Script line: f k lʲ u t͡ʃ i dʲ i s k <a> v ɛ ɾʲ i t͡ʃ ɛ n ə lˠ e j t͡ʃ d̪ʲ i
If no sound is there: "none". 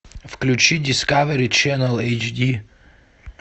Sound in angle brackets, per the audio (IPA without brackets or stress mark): a